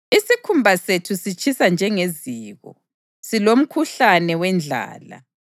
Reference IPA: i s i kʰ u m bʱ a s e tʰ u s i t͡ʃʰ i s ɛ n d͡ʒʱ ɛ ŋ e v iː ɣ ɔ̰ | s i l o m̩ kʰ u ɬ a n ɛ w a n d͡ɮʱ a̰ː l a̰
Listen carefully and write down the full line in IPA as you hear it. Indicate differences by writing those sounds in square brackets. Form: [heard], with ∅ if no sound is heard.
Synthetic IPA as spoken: i s i kʰ u m bʱ a s e tʰ u s i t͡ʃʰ i s [a] n d͡ʒʱ ɛ ŋ e [z] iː ɣ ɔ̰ | s i l o m̩ kʰ u ɬ a n ɛ w [ɛ] n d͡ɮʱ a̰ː l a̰